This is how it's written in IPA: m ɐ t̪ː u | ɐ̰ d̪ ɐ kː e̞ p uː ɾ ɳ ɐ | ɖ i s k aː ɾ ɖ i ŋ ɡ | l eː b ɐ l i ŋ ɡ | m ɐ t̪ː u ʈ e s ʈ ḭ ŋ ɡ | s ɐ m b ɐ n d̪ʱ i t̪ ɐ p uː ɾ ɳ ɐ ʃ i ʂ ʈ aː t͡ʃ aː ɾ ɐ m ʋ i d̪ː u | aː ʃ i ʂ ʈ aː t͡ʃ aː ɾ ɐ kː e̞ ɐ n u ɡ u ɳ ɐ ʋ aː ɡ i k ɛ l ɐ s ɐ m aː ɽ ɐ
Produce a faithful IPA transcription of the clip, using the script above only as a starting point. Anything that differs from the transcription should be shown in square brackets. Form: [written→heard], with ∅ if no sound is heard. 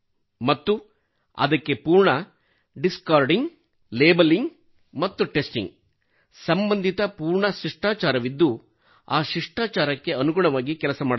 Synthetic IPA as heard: m ɐ t̪ː u | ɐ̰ d̪ ɐ kː e̞ p uː ɾ ɳ ɐ | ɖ i s k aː ɾ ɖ i ŋ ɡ | l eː b ɐ l i ŋ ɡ | m ɐ t̪ː u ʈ e s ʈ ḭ ŋ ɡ | s ɐ m b ɐ n d̪ʱ i t̪ ɐ p uː ɾ ɳ ɐ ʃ i ʂ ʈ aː t͡ʃ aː ɾ ɐ [m→∅] ʋ i d̪ː u | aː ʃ i ʂ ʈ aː t͡ʃ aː ɾ ɐ kː e̞ ɐ n u ɡ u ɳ ɐ ʋ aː ɡ i k ɛ l ɐ s ɐ m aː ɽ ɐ